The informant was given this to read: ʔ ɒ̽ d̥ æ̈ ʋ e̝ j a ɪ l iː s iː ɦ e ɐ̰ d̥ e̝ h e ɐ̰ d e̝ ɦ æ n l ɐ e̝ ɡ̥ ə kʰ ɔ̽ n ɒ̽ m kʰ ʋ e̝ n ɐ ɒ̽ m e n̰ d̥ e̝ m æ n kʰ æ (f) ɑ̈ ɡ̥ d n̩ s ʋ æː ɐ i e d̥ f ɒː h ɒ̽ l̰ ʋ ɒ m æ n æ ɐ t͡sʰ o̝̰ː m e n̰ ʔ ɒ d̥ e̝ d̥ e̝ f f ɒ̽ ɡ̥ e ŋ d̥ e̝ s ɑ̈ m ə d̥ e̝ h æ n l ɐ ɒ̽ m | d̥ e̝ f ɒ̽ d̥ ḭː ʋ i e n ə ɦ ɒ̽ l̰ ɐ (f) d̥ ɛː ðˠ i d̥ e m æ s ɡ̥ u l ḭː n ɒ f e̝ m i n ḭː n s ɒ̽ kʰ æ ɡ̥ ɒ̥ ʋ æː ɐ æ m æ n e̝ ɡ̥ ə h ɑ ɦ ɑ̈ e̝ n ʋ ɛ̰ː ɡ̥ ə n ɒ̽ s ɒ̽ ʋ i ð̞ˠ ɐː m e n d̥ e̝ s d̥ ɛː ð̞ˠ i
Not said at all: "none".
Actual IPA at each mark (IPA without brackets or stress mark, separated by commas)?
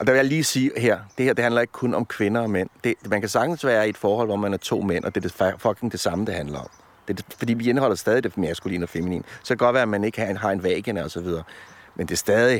s, s